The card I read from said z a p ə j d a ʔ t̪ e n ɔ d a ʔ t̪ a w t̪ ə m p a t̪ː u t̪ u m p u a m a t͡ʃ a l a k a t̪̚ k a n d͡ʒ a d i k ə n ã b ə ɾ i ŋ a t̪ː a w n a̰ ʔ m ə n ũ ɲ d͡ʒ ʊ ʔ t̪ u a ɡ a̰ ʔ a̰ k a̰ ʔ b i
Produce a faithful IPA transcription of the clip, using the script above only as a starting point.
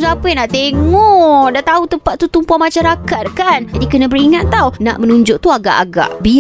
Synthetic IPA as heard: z a p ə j n a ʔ t̪ e ŋ ɔ d a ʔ t̪ a u t̪ ə m p a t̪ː u t̪ u m p u a m a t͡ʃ a ɾ a k a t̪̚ k a n d͡ʒ a d i k ə n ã b ə ɾ i ŋ a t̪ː a w n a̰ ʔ m ə n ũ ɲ d͡ʒ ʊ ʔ t̪ u a ɡ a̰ ʔ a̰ ɡ a̰ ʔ b i